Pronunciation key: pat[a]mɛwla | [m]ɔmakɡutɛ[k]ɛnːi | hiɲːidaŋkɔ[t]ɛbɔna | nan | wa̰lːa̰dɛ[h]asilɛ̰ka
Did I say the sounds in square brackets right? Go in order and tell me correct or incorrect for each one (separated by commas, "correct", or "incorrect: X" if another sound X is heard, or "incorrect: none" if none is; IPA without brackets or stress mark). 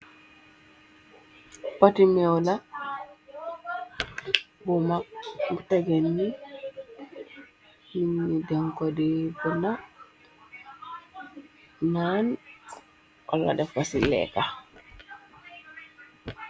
incorrect: i, incorrect: b, incorrect: ɡ, incorrect: d, incorrect: f